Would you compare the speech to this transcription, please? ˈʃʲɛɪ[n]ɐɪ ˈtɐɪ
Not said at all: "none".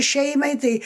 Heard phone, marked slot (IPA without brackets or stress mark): m